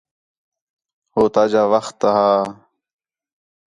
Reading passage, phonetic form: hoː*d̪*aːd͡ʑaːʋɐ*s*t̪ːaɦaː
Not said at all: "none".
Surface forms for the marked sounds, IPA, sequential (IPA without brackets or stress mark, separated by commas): t̪, x